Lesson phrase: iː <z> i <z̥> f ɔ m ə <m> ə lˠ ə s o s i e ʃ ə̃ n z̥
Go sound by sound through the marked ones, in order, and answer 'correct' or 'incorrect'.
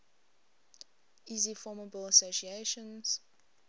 correct, incorrect, incorrect

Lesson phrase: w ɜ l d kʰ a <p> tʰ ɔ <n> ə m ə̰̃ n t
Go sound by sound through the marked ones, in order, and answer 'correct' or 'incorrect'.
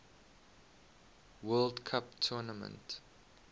correct, correct

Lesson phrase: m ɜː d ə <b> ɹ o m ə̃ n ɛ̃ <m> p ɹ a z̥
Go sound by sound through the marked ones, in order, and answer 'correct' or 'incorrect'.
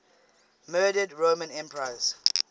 incorrect, correct

